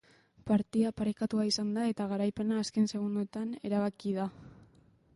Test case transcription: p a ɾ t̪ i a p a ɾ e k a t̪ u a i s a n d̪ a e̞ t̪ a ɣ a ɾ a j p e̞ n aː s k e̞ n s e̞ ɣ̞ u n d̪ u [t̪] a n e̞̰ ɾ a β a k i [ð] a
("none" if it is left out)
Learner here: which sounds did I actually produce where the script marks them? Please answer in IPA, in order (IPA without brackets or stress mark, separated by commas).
t̪, ð